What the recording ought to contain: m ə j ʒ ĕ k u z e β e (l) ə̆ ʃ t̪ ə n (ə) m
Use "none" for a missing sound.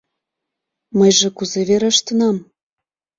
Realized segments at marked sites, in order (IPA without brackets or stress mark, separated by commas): ɾ, ɑ